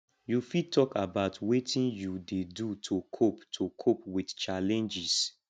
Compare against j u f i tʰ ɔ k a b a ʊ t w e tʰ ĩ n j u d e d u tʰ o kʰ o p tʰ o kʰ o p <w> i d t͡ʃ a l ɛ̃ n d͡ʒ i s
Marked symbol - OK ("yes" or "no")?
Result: yes